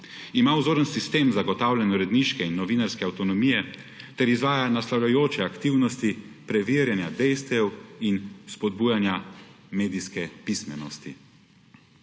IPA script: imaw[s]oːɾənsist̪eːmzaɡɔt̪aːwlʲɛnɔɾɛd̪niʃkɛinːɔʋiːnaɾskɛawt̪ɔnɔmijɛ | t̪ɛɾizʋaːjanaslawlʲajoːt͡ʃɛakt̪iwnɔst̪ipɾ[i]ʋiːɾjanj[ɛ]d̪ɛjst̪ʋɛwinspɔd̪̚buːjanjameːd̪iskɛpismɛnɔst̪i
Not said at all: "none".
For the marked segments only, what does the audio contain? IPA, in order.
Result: z, ɛ, a

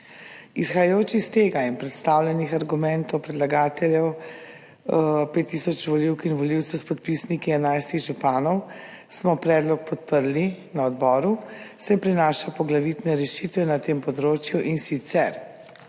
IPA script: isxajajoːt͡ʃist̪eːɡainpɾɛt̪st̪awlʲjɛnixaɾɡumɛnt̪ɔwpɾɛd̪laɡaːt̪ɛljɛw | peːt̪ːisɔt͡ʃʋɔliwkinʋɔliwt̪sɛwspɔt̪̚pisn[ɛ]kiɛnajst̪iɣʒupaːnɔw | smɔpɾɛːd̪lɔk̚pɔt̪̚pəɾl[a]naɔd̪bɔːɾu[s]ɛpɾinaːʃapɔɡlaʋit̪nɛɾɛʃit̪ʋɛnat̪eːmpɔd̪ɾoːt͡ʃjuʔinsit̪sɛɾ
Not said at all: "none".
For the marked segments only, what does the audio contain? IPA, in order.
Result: i, i, s

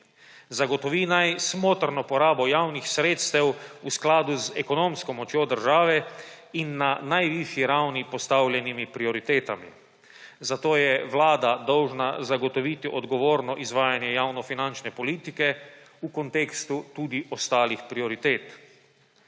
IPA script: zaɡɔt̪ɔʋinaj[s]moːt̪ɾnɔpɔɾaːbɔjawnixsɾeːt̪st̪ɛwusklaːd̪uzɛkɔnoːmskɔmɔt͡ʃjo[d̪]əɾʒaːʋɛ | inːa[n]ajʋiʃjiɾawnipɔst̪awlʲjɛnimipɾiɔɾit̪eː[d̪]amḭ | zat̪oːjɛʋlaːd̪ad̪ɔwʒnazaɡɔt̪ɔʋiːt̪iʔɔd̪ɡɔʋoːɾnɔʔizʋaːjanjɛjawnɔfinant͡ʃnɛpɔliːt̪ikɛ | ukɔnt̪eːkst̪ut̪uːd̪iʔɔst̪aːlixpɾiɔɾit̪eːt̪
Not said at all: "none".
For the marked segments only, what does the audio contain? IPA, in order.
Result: s, d̪, n, t̪

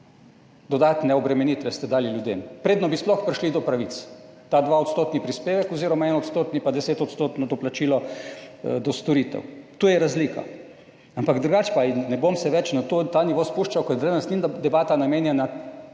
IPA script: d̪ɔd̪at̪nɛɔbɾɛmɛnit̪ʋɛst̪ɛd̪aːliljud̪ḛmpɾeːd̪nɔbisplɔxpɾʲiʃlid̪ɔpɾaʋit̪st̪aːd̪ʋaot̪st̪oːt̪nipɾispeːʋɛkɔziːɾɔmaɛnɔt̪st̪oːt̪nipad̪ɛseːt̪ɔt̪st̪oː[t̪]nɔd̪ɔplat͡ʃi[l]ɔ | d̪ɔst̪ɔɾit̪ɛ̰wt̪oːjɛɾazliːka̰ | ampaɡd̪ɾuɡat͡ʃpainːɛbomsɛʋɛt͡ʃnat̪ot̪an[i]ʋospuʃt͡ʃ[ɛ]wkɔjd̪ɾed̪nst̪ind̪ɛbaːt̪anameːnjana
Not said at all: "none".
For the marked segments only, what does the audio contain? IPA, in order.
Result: t̪, l, i, a

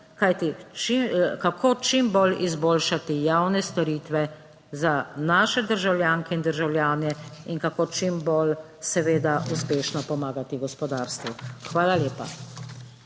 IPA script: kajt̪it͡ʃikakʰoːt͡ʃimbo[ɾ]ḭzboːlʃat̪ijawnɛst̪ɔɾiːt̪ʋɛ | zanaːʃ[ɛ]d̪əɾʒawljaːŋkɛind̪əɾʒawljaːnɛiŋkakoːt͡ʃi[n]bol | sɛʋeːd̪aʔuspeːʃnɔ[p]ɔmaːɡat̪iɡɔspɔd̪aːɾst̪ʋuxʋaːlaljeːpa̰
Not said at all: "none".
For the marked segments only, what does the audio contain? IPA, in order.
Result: l, ɛ, m, p

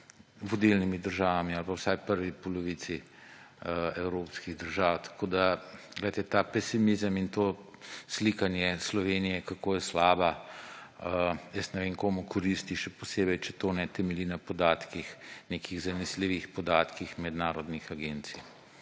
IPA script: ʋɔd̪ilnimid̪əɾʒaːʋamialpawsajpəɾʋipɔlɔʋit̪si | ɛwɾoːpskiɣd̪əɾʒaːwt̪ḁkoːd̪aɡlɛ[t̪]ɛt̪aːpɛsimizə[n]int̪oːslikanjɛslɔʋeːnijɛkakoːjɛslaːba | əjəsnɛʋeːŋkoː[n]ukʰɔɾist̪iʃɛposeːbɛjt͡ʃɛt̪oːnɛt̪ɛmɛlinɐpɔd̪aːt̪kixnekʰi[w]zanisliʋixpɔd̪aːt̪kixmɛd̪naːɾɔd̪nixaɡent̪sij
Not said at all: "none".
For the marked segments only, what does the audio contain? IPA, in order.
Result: t̪, m, m, ɣ

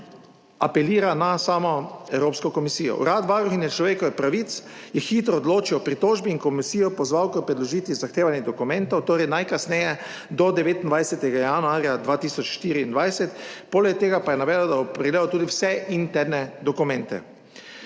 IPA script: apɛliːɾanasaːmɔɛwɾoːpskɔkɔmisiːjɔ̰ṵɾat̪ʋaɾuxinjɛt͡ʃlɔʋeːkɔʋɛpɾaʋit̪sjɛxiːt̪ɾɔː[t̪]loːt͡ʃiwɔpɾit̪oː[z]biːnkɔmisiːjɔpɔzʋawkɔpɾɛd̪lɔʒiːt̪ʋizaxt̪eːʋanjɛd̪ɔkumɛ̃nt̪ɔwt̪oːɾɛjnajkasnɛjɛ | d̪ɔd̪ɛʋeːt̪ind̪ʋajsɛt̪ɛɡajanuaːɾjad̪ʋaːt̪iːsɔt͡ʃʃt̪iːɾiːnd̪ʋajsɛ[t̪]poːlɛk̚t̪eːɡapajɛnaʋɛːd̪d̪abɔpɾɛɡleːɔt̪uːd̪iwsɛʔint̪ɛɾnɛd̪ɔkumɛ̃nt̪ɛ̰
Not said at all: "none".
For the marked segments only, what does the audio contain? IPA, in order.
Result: d̪, ʒ, t̪

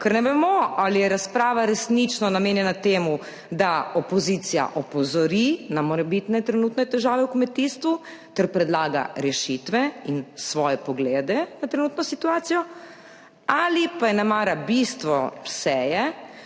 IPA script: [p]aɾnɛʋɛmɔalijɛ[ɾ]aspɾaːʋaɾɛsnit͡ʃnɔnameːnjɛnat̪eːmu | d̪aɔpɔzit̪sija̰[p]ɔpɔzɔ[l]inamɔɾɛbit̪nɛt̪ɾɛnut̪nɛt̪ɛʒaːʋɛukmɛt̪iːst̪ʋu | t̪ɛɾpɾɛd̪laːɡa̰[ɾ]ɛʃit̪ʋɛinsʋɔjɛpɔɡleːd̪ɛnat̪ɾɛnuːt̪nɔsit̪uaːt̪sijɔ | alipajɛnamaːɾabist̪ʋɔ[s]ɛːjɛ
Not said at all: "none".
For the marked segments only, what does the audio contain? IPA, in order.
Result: k, ɾ, ʔ, ɾ, ɾ, s

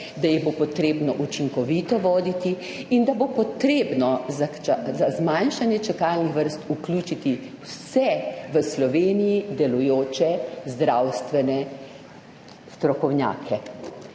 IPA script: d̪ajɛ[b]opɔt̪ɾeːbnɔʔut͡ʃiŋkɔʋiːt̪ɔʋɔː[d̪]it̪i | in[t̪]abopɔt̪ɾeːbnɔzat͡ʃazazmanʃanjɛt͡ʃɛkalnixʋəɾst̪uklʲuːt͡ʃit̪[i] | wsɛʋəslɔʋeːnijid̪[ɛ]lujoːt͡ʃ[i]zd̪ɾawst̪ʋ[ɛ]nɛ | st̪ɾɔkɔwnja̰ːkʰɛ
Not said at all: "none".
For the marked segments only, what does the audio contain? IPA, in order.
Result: b, d̪, d̪, i, ɛ, ɛ, ɛ

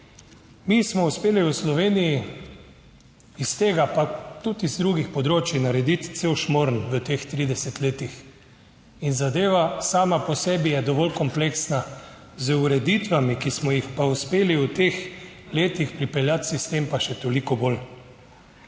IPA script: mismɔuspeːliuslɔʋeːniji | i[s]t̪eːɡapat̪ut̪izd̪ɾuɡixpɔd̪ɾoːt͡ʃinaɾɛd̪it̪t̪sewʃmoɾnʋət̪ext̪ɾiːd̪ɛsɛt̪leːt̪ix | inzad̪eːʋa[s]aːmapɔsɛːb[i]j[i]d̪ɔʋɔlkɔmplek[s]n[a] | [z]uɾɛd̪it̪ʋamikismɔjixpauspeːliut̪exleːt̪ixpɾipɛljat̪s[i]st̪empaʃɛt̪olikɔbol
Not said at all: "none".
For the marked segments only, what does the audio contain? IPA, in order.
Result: s, s, i, ɛ, s, a, z, i

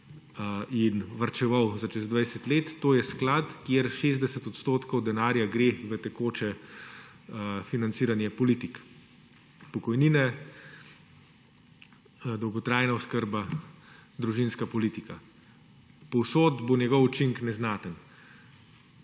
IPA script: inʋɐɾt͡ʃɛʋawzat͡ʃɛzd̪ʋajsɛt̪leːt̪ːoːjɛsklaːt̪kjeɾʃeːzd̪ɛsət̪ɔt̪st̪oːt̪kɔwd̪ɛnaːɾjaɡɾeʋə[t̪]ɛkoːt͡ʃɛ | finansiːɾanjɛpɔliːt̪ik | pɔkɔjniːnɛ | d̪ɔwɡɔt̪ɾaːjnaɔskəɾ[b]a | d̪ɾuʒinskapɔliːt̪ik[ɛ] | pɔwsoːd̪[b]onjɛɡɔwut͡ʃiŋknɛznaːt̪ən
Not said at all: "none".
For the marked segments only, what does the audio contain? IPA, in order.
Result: t̪, b, a, b

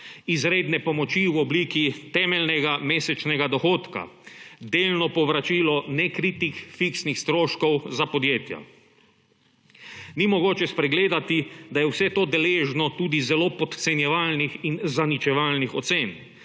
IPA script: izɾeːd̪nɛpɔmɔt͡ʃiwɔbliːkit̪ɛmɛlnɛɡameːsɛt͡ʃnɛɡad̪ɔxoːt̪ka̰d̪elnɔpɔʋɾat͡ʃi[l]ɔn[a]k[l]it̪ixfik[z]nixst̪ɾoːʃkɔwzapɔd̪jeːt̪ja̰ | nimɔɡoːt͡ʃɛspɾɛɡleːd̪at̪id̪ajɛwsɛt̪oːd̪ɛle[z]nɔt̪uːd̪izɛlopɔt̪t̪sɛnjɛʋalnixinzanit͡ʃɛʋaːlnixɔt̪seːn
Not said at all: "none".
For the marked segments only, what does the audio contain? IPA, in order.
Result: l, ɛ, ɾ, s, ʒ

